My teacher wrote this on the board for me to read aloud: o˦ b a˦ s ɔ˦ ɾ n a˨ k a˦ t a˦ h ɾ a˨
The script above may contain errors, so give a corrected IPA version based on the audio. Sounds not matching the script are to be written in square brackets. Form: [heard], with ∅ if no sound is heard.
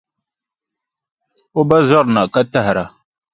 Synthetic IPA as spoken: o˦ b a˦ [z] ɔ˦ ɾ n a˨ k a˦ t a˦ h ɾ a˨